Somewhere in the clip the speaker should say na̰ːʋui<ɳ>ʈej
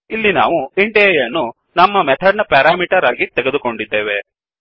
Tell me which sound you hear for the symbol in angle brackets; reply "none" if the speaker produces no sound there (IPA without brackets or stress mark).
ɳ